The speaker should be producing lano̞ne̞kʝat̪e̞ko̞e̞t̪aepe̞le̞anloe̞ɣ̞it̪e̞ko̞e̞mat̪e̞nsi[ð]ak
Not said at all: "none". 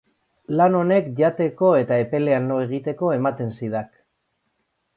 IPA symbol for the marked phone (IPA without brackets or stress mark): ð